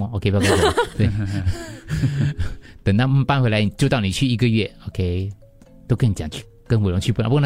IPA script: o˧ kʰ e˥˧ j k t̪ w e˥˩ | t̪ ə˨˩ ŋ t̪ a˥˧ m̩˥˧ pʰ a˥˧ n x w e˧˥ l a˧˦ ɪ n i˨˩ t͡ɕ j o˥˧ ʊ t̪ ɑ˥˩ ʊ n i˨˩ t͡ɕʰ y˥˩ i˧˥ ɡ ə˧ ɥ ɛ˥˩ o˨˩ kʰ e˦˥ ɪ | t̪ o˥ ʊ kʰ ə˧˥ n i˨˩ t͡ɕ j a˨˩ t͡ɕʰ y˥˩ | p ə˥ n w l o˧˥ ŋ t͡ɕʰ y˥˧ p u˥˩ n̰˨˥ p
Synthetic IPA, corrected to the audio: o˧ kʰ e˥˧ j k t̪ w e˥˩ | t̪ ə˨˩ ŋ t̪ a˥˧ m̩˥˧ p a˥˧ n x w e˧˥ l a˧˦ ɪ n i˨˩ t͡ɕ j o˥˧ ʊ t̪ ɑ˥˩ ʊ n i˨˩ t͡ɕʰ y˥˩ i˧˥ ɡ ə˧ ɥ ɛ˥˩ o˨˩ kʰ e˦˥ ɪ | t̪ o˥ ʊ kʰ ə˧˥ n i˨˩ t͡ɕ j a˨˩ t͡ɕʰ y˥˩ | k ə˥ n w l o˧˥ ŋ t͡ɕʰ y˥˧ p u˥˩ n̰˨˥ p